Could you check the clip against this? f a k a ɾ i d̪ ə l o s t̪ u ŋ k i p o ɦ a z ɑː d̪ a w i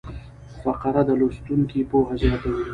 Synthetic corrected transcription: f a q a ɾ a d̪ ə l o s t̪ u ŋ k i p o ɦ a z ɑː t̪ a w i